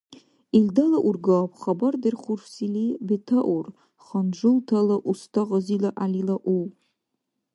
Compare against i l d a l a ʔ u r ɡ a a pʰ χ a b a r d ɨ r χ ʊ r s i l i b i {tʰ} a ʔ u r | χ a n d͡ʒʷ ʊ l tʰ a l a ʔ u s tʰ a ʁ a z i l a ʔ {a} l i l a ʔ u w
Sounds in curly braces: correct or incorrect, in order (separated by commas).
correct, correct